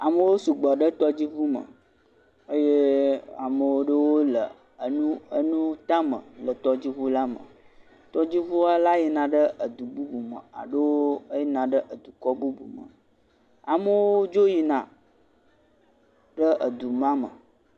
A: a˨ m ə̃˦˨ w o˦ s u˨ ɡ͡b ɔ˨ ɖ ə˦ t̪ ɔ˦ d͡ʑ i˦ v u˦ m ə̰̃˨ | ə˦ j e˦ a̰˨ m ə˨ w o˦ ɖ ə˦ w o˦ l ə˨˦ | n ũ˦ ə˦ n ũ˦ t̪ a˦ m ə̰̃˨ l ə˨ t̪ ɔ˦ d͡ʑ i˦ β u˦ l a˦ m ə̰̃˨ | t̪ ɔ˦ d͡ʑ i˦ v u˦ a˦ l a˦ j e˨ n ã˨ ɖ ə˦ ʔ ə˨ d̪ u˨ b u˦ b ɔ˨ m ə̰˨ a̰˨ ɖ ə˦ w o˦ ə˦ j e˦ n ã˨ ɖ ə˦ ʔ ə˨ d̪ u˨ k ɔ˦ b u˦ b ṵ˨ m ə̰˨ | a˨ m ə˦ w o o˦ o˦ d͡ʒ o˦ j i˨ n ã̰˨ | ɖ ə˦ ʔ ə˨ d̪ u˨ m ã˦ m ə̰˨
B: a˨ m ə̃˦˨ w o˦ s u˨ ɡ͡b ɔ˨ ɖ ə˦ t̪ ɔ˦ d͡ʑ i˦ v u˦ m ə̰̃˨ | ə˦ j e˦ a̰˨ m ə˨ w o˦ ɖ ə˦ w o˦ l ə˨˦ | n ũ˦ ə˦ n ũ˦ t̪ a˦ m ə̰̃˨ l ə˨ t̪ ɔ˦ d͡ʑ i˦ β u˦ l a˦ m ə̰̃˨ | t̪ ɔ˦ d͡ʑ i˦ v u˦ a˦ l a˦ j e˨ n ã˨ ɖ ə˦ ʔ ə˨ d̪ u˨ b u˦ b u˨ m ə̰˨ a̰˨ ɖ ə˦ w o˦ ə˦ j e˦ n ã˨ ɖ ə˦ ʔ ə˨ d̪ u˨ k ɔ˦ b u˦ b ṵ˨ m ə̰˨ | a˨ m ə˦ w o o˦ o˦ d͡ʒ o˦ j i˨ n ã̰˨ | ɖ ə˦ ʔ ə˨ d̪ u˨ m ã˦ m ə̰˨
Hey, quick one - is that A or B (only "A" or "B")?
B